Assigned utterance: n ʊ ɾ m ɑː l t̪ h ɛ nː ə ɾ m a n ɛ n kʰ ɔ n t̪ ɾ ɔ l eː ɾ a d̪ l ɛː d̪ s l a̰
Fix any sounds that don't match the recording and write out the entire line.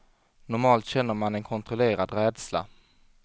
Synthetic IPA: n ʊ ɾ m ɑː l t̪ ɕ ɛ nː ə ɾ m a n ɛ n kʰ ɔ n t̪ ɾ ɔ l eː ɾ a d̪ ɾ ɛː d̪ s l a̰